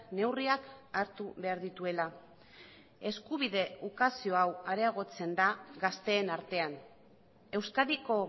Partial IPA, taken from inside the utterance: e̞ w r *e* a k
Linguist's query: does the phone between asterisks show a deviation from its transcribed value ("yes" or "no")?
yes